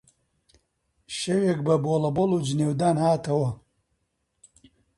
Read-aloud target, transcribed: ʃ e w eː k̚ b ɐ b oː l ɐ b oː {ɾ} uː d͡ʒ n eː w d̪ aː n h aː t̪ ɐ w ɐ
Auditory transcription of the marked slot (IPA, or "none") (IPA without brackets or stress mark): l